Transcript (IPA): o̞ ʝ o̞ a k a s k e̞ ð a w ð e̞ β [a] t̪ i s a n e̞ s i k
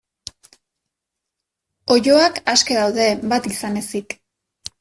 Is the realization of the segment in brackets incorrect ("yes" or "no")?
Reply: no